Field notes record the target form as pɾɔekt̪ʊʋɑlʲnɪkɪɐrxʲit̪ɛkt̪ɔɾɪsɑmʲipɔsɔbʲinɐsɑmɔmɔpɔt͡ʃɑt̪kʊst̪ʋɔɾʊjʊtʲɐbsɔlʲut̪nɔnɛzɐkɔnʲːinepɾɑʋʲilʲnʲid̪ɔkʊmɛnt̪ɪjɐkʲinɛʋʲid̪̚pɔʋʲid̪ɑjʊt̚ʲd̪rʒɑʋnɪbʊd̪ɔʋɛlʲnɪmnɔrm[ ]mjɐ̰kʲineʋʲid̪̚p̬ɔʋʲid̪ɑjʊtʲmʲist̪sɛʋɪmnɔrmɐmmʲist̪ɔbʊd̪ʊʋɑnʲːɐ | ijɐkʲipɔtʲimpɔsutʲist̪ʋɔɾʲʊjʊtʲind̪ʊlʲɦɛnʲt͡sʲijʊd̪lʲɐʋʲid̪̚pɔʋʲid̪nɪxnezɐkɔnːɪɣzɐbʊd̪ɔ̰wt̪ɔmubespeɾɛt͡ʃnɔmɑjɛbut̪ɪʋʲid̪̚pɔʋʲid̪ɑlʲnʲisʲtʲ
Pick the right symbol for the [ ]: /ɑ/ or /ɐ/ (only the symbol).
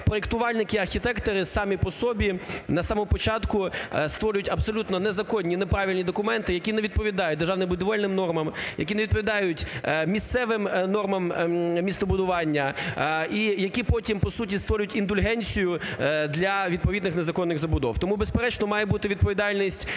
ɐ